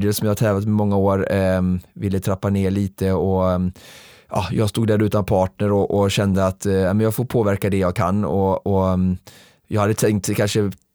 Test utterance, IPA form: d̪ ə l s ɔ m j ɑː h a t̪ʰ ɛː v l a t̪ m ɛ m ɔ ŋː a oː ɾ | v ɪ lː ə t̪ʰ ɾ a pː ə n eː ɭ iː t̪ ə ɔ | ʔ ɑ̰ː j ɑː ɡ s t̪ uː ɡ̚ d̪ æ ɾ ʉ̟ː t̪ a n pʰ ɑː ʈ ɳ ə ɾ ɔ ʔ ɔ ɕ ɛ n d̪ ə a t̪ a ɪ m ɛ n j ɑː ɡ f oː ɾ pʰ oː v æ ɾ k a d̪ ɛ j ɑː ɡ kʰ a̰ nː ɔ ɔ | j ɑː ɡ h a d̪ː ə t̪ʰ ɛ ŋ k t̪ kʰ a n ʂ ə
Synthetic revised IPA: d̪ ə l s ɔ m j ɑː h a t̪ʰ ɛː v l a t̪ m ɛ m ɔ ŋː a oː ɾ | v ɪ lː ə t̪ʰ ɾ a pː a n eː ɭ iː t̪ ə ɔ | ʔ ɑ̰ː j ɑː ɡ s t̪ uː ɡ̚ d̪ æ ɾ ʉ̟ː t̪ a n pʰ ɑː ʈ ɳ ə ɾ ɔ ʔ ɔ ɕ ɛ n d̪ ə a t̪ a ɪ m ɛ n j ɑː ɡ f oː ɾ pʰ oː v æ ɾ k a d̪ ɛ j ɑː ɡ kʰ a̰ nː ɔ ɔ | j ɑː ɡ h a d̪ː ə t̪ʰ ɛ ŋ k t̪ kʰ a n ʂ ə